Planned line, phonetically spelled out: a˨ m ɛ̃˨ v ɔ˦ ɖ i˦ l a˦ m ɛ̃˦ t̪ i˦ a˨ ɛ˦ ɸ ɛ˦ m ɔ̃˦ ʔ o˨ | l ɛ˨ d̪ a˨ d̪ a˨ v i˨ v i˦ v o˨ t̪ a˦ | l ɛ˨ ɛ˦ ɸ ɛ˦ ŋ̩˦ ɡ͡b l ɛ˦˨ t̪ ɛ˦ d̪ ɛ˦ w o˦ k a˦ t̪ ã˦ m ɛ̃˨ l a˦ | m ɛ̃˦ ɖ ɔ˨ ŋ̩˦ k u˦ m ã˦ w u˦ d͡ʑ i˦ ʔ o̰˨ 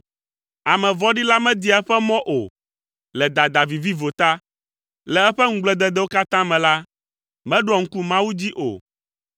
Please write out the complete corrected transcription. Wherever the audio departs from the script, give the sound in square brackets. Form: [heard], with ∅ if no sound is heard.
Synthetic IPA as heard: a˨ m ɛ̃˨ v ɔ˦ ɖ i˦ l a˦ m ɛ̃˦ [d̪] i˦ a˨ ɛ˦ ɸ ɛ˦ m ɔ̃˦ ʔ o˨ | l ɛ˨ d̪ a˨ d̪ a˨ v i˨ v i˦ v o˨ t̪ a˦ | l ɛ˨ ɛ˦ ɸ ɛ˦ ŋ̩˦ ɡ͡b l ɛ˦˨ [d̪] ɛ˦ d̪ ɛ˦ w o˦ k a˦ t̪ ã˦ m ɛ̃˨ l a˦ | m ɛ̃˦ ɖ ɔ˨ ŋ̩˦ k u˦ m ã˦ w u˦ d͡ʑ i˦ ʔ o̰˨

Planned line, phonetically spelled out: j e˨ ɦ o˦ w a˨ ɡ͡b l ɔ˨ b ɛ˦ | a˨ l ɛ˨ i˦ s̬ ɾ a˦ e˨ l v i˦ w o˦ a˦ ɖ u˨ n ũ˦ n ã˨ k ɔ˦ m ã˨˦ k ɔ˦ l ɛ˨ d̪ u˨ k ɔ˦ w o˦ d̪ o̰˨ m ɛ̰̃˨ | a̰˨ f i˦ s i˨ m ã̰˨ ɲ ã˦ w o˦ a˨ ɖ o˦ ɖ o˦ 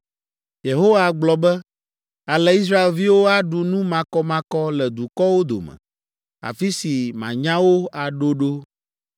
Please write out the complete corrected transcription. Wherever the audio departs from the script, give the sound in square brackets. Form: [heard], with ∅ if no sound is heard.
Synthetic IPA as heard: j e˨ ɦ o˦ w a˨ ɡ͡b l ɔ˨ b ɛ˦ | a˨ l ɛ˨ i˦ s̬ ɾ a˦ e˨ l v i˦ w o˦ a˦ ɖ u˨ n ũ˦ [m] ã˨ k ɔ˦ m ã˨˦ k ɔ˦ l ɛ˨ d̪ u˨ k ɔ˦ w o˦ d̪ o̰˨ m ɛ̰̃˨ | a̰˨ f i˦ s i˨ m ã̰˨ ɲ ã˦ w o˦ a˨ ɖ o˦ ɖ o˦

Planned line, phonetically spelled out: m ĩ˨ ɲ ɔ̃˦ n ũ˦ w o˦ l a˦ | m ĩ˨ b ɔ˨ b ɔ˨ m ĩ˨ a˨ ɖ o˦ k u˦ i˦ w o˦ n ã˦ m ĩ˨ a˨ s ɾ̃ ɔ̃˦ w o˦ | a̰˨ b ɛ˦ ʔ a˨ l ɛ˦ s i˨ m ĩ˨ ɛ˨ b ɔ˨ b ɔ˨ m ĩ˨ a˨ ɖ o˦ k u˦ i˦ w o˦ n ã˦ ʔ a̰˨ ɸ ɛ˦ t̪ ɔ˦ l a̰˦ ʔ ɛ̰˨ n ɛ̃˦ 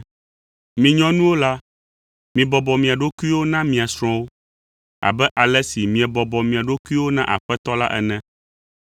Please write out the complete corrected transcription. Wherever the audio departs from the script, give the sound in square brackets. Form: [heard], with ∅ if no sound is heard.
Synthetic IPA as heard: m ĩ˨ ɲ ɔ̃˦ n ũ˦ w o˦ l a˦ | m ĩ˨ b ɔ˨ b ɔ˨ m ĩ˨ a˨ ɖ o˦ k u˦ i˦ w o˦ n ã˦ m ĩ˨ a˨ s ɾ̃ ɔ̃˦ w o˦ | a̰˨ b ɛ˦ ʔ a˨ l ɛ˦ s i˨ m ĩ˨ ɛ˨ b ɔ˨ b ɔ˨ m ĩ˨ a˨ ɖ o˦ k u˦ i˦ w o˦ n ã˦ ʔ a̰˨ ɸ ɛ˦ t̪ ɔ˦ l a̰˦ ʔ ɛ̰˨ n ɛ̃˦

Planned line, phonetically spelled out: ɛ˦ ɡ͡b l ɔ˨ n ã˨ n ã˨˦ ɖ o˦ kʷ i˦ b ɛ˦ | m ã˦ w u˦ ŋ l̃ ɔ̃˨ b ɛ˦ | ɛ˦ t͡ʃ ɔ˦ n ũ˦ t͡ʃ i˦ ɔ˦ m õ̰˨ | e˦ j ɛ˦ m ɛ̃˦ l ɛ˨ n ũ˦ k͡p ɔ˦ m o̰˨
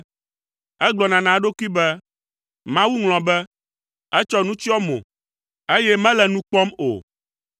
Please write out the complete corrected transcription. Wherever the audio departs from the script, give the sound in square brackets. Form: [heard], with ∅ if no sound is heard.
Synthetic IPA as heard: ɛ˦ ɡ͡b l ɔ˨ n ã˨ n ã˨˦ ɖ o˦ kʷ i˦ b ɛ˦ | m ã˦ w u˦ ŋ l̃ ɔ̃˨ b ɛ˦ | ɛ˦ t͡ʃ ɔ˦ n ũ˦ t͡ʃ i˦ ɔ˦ m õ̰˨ | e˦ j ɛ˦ m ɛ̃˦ l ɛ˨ n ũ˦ k͡p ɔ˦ m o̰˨

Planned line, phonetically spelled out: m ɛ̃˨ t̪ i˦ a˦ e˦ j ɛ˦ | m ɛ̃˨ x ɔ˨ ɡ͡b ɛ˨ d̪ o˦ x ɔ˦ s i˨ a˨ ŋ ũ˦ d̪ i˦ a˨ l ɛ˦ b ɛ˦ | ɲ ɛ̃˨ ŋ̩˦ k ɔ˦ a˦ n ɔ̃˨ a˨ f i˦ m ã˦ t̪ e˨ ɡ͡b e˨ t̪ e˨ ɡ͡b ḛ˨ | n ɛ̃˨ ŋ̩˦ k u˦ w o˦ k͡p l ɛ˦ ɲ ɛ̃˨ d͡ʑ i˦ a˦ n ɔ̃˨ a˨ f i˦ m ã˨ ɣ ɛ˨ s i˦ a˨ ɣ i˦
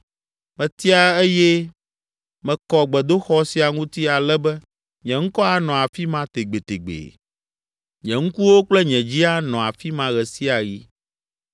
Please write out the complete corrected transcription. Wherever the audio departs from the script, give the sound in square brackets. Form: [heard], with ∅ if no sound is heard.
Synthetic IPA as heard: m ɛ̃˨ t̪ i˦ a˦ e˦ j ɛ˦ | m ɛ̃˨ [k] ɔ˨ ɡ͡b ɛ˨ d̪ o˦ x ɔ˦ s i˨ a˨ ŋ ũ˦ [t̪] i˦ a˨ l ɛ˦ b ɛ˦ | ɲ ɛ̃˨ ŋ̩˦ k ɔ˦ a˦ n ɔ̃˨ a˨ f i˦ m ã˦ t̪ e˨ ɡ͡b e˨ t̪ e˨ ɡ͡b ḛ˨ | [ɲ] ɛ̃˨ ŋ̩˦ k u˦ w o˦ k͡p l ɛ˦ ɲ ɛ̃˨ d͡ʑ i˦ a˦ n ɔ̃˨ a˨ f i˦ m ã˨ ɣ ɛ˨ s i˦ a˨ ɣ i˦

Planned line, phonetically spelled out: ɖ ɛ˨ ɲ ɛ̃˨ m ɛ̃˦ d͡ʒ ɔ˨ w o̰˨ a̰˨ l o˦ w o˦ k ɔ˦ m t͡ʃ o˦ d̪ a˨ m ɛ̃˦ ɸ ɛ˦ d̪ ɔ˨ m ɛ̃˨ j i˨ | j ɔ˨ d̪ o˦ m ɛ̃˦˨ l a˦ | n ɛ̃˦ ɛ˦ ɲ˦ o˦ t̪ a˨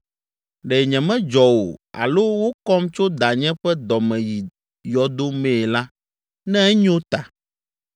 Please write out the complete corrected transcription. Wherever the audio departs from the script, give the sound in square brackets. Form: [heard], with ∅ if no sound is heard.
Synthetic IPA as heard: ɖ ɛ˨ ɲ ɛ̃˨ m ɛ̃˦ d͡ʒ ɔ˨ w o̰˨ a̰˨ l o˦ w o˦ k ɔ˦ m t͡ʃ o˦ d̪ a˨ [ɲ] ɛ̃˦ ɸ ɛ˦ d̪ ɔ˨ m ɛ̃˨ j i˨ | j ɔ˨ d̪ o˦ m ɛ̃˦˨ l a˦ | n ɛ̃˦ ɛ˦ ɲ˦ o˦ t̪ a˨

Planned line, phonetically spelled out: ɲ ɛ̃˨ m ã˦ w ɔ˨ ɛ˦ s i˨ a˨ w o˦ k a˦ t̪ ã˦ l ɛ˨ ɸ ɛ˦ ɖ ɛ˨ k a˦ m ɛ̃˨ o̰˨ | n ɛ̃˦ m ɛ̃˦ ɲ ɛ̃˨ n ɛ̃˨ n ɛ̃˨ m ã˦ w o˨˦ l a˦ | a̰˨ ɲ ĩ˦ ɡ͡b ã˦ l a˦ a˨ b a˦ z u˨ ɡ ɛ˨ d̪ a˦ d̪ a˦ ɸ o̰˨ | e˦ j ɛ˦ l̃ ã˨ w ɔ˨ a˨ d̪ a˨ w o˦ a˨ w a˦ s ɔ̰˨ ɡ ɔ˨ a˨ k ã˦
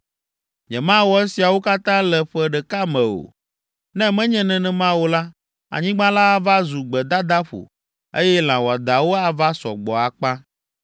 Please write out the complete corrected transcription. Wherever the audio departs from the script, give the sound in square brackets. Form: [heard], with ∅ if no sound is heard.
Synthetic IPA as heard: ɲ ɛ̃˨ m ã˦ w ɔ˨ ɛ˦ s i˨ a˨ w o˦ k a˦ t̪ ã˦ l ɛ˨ ɸ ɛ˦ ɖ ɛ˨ k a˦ m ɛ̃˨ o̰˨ | n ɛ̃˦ m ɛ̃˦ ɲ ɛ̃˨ n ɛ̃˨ n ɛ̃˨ m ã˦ w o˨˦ l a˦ | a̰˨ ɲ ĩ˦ ɡ͡b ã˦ l a˦ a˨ [v] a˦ z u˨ [ɡ͡b] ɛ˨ d̪ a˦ d̪ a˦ ɸ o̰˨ | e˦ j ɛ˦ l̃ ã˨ w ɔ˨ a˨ d̪ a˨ w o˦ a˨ [v] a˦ s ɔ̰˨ [ɡ͡b] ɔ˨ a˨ [k͡p] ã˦

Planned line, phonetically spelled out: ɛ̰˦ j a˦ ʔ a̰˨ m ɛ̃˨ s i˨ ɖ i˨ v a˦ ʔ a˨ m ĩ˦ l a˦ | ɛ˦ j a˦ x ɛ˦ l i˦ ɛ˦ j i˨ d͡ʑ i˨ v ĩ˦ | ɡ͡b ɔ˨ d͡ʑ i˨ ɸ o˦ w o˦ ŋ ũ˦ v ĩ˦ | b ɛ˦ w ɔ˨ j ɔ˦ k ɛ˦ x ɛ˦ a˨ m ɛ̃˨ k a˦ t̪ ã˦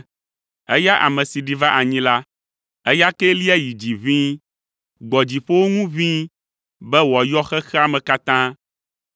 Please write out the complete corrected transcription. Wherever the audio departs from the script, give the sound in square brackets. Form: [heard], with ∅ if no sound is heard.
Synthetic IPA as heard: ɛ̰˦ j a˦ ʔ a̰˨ m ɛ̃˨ s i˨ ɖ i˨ v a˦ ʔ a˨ [ɲ] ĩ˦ l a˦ | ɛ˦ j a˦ [k] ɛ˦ l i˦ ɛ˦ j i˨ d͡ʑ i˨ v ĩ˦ | ɡ͡b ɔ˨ d͡ʑ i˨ ɸ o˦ w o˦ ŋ ũ˦ v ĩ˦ | b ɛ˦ w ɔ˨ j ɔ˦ [x] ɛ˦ x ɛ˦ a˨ m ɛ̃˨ k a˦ t̪ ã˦

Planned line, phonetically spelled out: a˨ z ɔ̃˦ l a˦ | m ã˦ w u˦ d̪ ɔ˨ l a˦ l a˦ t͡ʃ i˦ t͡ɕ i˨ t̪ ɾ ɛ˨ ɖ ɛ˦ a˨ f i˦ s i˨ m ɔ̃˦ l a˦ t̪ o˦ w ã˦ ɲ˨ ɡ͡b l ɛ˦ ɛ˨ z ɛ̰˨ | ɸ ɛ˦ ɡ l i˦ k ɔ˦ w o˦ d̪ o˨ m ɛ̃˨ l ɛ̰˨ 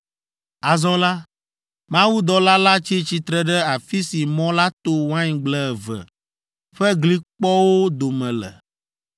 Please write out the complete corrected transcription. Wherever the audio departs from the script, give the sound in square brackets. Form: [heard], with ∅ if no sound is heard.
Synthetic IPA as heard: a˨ z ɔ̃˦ l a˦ | m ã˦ w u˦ d̪ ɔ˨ l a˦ l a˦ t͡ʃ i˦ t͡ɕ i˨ t̪ ɾ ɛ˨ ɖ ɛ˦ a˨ f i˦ s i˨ m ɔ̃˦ l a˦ t̪ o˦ w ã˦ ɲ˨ ɡ͡b l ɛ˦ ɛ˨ [v] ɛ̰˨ | ɸ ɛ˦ ɡ l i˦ [k͡p] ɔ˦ w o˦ d̪ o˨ m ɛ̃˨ l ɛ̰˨

